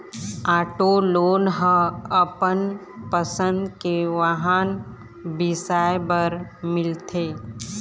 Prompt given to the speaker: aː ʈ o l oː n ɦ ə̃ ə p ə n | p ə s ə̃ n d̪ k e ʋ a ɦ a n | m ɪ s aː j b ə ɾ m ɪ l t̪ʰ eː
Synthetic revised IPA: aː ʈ o l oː n ɦ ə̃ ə p ə n | p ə s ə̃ n d̪ k e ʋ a ɦ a n | b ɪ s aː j b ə ɾ m ɪ l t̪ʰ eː